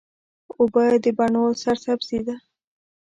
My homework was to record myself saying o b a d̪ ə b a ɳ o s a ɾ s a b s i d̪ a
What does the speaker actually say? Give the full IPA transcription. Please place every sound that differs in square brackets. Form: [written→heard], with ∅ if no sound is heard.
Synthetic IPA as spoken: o b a d̪ ə b a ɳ o s a ɾ s a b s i d̪ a